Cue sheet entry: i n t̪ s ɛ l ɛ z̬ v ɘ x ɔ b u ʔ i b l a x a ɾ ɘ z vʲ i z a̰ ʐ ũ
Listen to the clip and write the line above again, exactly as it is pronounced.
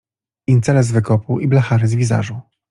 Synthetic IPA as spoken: i n t̪ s ɛ l ɛ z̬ v ɘ k ɔ p u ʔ i b l a x a ɾ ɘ z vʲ i z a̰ ʐ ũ

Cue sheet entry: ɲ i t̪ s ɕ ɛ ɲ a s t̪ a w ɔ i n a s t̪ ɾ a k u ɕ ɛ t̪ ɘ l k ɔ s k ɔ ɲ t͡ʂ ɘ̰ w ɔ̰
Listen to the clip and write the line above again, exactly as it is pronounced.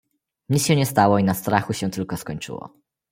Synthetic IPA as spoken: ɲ i t̪ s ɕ ɛ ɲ ɛ s t̪ a w ɔ i n a s t̪ ɾ a x u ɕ ɛ t̪ ɘ l k ɔ s k ɔ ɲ t͡ʂ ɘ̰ w ɔ̰

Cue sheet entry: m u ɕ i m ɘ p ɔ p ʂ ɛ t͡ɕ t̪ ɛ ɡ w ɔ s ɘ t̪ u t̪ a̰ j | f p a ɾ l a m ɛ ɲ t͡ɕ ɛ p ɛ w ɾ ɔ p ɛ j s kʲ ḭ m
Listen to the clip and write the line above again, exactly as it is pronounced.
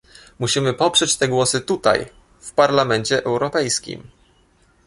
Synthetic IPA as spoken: m u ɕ i m ɘ p ɔ p ʂ ɛ t͡ɕ t̪ ɛ ɡ w ɔ s ɘ t̪ u t̪ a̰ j | f p a ɾ l a m ɛ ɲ t͡ɕ ɛ ʔ ɛ w ɾ ɔ p ɛ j s kʲ ḭ m

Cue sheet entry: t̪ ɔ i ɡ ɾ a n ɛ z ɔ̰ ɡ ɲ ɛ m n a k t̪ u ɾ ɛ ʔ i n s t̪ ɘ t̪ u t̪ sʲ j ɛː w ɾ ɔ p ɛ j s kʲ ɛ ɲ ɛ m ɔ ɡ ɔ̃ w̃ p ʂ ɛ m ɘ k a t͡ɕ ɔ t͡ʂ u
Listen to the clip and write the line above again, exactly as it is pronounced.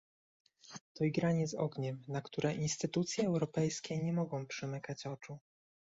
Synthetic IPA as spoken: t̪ ɔ i ɡ ɾ a ɲ ɛ z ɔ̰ ɡ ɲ ɛ m n a k t̪ u ɾ ɛ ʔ i n s t̪ ɘ t̪ u t̪ sʲ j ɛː w ɾ ɔ p ɛ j s kʲ ɛ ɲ ɛ m ɔ ɡ ɔ̃ w̃ p ʂ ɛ m ɘ k a t͡ɕ ɔ t͡ʂ u

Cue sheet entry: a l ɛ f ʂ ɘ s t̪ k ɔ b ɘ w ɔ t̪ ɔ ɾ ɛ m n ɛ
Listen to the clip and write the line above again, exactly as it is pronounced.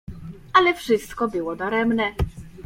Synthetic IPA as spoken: a l ɛ f ʂ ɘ s t̪ k ɔ b ɘ w ɔ d̪ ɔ ɾ ɛ m n ɛ

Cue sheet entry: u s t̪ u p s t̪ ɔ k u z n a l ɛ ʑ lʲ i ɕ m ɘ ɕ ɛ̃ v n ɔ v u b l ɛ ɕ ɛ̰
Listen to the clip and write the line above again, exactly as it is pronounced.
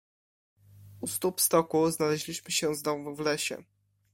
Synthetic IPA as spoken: u s t̪ u p s t̪ ɔ k u z n a l ɛ ʑ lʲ i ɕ m ɘ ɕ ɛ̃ z n ɔ v u v l ɛ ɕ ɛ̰

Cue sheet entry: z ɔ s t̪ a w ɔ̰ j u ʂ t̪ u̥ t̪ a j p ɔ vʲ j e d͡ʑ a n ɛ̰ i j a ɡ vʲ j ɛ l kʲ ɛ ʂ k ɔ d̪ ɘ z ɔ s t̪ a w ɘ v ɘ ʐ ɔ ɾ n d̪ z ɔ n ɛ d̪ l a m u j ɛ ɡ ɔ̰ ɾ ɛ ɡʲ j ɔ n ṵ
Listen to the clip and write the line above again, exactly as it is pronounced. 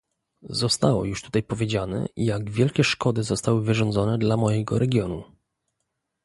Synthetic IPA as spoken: z ɔ s t̪ a w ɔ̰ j u ʂ t̪ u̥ t̪ a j p ɔ vʲ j e d͡ʑ a n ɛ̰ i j a ɡ vʲ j ɛ l kʲ ɛ ʂ k ɔ d̪ ɘ z ɔ s t̪ a w ɘ v ɘ ʐ ɔ n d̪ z ɔ n ɛ d̪ l a m ɔ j ɛ ɡ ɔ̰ ɾ ɛ ɡʲ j ɔ n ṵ

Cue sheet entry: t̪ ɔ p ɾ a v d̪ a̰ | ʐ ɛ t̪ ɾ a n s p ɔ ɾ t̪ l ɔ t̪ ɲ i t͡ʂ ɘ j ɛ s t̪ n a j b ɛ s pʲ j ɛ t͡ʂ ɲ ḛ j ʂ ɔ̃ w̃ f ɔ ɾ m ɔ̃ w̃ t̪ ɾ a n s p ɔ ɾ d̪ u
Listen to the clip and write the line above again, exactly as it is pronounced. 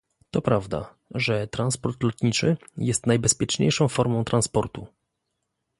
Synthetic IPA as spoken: t̪ ɔ p ɾ a v d̪ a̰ | ʐ ɛ t̪ ɾ a n s p ɔ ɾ t̪ l ɔ t̪ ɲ i t͡ʂ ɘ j ɛ s t̪ n a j b ɛ s pʲ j ɛ t͡ʂ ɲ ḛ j ʂ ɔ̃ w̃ f ɔ ɾ m ɔ̃ w̃ t̪ ɾ a n s p ɔ ɾ t̪ u

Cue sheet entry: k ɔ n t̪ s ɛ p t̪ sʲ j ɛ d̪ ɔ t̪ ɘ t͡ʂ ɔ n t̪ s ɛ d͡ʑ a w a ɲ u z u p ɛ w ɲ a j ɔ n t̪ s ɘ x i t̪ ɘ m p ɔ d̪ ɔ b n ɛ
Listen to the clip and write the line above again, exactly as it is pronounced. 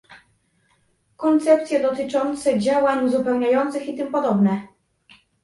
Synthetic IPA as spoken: k ɔ n t̪ s ɛ p t̪ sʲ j ɛ d̪ ɔ t̪ ɘ t͡ʂ ɔ n t̪ s ɛ d͡ʑ a w a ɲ u z u p ɛ w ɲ a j ɔ n t̪ s ɘ x i t̪ ɘ m p ɔ d̪ ɔ b n ɛ

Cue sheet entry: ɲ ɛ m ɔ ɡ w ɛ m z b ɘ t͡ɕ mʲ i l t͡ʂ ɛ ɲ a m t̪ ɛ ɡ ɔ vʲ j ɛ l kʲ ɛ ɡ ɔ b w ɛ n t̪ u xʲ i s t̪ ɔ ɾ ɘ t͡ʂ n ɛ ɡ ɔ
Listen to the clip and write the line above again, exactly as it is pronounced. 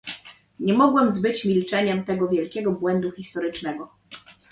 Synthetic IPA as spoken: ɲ ɛ m ɔ ɡ w ɛ m z b ɘ t͡ɕ mʲ i l t͡ʂ ɛ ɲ ɛ m t̪ ɛ ɡ ɔ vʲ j ɛ l kʲ ɛ ɡ ɔ b w ɛ n d̪ u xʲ i s t̪ ɔ ɾ ɘ t͡ʂ n ɛ ɡ ɔ

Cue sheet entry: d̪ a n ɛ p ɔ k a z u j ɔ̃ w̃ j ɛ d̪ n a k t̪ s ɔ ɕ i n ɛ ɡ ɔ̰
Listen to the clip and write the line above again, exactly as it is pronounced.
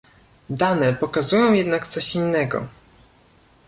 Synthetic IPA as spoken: d̪ a n ɛ p ɔ k a z u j ɔ̃ w̃ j ɛ d̪ n a k t̪ s ɔ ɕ i nː ɛ ɡ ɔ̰

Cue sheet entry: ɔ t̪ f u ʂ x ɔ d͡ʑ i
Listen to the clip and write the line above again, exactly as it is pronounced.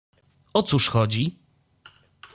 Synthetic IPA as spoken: ɔ t̪ s u ʂ x ɔ d͡ʑ i

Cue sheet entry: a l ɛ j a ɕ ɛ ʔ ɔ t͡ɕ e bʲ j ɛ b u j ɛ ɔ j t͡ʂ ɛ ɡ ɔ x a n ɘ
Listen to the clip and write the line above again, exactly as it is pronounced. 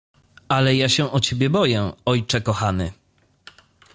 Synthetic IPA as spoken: a l ɛ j a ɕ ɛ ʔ ɔ t͡ɕ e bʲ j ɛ b ɔ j ɛ ɔ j t͡ʂ ɛ k ɔ x a n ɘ

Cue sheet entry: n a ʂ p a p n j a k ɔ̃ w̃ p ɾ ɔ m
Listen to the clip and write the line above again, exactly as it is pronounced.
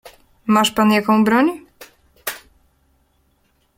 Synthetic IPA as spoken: m a ʂ p a n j a k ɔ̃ w̃ b ɾ ɔ ɲ

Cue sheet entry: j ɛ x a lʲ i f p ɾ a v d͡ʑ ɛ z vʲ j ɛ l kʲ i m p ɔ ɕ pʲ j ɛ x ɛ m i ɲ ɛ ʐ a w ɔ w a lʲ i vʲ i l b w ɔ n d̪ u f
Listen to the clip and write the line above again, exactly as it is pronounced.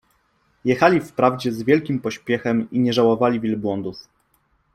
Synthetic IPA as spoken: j ɛ x a lʲ i f p ɾ a v d͡ʑ ɛ z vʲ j ɛ l kʲ i m p ɔ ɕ pʲ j ɛ x ɛ m i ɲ ɛ ʐ a w ɔ v a lʲ i vʲ i l b w ɔ n d̪ u f

